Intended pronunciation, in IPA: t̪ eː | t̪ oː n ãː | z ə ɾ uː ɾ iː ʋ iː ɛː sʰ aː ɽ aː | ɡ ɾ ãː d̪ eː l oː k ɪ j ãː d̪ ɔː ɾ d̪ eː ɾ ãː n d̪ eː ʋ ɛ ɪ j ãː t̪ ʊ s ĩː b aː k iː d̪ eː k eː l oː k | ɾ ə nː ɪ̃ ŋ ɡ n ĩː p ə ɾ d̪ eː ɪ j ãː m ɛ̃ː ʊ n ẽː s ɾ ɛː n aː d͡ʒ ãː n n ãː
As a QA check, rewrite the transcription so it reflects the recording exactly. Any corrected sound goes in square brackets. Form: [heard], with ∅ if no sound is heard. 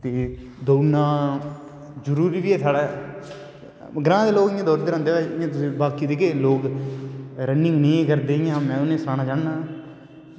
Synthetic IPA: t̪ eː | [d̪] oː n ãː | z ə ɾ uː ɾ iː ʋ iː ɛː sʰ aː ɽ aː | ɡ ɾ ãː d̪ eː l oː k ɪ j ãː d̪ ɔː ɾ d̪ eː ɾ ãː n d̪ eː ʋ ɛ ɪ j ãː t̪ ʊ s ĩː b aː k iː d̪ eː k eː l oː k | ɾ ə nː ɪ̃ ŋ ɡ n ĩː [k] ə ɾ d̪ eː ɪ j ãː m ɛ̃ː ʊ n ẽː s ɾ [aː] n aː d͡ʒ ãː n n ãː